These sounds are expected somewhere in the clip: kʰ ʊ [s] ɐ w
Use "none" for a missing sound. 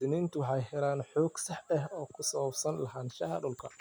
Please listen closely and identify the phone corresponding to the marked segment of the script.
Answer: s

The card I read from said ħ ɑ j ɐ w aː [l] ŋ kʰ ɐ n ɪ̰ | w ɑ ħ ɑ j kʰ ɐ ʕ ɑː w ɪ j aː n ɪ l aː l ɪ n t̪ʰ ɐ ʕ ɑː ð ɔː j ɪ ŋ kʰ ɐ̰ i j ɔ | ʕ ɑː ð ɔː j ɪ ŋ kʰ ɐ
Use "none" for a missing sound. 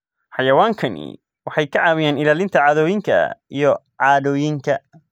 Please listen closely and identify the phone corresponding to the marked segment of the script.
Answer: none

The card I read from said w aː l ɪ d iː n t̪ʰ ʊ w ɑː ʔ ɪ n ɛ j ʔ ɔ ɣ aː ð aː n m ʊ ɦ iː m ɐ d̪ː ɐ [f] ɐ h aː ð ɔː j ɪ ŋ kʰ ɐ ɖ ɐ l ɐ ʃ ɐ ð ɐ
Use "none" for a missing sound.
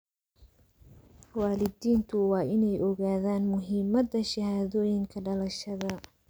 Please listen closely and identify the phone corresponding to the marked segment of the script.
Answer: ʃ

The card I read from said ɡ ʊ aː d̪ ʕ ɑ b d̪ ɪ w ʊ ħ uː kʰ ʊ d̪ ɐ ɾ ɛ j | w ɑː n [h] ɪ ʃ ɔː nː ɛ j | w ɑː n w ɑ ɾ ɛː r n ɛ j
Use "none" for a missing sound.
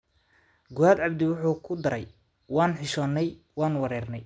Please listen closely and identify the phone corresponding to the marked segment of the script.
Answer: ħ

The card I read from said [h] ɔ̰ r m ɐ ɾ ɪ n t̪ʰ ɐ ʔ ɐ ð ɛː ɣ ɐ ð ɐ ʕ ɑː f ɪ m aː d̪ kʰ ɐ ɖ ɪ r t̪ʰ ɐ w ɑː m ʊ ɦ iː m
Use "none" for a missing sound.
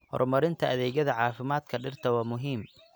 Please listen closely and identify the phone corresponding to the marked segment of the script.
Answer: h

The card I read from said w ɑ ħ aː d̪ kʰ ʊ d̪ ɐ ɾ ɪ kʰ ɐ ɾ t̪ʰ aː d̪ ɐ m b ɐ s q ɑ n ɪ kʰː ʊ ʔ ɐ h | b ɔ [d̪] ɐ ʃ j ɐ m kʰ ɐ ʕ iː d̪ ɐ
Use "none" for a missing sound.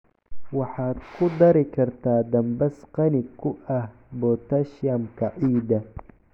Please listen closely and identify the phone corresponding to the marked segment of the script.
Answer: t̪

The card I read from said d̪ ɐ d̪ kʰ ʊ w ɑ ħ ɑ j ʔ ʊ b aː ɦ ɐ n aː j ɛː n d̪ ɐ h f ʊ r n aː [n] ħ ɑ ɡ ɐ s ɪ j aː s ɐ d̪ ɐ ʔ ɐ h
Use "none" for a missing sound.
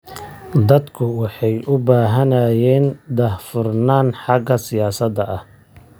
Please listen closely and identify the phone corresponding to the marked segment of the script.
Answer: n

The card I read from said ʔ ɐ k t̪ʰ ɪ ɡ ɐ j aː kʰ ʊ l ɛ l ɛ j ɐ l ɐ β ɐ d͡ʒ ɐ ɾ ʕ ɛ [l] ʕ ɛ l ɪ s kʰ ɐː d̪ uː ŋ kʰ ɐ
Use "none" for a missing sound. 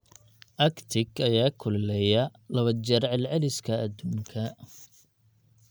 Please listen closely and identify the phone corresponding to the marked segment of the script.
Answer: l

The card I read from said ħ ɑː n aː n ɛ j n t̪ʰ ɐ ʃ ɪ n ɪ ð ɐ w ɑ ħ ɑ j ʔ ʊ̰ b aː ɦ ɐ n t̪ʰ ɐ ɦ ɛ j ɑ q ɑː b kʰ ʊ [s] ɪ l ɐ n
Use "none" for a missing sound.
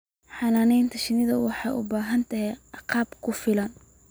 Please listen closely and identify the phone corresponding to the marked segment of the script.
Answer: f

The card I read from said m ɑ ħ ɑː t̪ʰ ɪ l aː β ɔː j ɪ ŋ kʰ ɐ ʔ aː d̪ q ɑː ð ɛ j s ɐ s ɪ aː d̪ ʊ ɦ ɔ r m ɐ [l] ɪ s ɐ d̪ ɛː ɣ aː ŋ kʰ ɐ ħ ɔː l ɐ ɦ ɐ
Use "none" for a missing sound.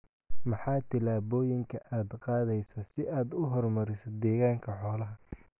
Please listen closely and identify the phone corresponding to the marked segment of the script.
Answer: ɾ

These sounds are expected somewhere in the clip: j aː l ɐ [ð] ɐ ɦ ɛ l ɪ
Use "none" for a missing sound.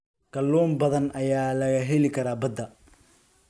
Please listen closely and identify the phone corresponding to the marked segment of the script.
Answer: ɣ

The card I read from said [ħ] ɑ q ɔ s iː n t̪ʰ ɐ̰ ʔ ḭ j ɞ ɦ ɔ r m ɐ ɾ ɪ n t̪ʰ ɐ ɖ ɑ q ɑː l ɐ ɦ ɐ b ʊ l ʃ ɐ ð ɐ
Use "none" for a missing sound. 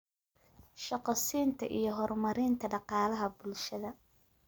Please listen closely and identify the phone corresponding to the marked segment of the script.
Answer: ʃ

